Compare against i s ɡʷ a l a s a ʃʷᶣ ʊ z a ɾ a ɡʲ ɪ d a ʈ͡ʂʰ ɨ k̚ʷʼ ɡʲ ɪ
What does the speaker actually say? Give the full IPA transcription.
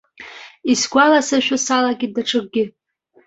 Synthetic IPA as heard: i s ɡʷ a l a s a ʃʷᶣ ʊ s a l a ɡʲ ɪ d a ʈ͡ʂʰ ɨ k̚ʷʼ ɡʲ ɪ